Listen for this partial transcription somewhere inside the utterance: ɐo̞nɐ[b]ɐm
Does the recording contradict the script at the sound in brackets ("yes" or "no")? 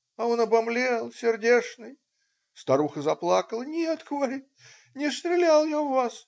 no